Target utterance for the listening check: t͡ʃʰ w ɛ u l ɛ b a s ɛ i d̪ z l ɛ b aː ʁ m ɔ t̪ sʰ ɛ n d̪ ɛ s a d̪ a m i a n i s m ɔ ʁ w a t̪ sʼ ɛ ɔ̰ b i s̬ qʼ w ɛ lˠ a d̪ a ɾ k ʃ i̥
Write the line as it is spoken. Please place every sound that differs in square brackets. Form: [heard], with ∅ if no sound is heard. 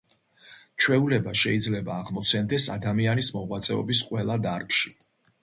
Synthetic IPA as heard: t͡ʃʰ w ɛ u l ɛ b a [ʃ] ɛ i d̪ z l ɛ b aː ʁ m ɔ t̪ sʰ ɛ n d̪ ɛ s a d̪ a m i a n i s m ɔ ʁ w a t̪ sʼ ɛ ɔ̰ b i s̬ qʼ w ɛ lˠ a d̪ a ɾ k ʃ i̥